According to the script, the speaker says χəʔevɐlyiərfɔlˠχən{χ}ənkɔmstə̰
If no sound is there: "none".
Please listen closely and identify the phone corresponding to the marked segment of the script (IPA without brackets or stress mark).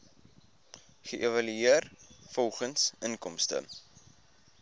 s